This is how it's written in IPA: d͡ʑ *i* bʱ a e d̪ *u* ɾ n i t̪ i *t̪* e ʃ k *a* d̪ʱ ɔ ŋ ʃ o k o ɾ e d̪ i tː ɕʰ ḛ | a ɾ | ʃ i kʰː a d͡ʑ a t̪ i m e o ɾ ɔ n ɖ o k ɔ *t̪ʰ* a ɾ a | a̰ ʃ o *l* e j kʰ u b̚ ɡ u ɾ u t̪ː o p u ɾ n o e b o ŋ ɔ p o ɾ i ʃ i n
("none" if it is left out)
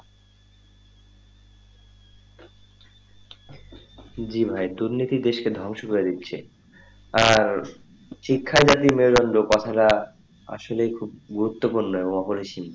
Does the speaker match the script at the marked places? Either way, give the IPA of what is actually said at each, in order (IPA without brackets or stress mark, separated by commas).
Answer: i, u, d̪, e, t̪ʰ, l